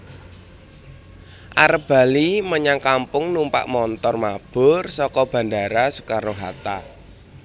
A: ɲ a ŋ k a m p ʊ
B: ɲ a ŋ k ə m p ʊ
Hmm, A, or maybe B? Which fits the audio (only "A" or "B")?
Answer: A